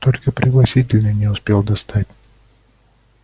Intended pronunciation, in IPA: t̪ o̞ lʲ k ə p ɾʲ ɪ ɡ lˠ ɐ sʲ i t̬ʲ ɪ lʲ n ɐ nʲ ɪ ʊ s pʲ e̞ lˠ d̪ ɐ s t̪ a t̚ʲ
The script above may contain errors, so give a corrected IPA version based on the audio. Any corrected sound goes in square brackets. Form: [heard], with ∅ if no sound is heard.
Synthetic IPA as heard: t̪ o̞ lʲ k ə p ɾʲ ɪ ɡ lˠ ɐ sʲ i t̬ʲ ɪ lʲ n [ə] nʲ ɪ ʊ s pʲ e̞ lˠ d̪ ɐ s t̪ a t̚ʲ